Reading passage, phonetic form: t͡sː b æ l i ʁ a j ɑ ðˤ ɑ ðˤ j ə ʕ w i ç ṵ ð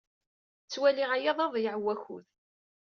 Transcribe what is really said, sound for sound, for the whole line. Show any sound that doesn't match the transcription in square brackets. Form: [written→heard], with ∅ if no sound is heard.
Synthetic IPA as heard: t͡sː [b→w] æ l i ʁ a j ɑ ðˤ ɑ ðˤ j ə ʕ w [i→æ] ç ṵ ð